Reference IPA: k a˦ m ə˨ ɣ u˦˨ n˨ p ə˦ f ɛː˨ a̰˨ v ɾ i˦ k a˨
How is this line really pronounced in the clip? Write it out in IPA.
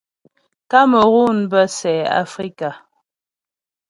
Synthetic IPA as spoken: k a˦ m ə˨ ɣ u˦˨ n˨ b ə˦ s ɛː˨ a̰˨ f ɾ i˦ k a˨